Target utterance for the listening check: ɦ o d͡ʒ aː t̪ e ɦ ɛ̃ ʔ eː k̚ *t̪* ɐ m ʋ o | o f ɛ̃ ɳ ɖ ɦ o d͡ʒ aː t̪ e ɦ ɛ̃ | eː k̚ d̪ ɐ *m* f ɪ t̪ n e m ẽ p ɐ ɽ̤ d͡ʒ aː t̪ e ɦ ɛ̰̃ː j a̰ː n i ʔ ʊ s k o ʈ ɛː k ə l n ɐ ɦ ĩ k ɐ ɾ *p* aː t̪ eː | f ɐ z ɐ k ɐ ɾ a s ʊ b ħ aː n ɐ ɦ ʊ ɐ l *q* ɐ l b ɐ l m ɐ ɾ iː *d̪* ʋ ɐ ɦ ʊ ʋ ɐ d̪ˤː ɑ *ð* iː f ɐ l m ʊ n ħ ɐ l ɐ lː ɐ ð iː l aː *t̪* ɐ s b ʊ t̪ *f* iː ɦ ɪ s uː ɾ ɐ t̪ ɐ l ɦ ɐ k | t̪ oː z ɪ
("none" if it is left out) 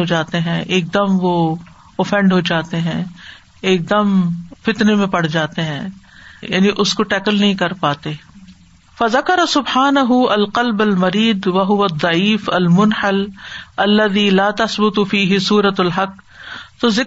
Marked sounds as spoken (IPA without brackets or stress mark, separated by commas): d̪, m, p, q, d̪, ʕ, t̪, f